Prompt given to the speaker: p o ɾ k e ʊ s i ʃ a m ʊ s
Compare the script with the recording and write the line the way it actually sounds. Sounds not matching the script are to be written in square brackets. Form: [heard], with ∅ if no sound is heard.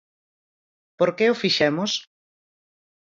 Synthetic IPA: p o ɾ k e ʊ [f] i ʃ [ɛ] m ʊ s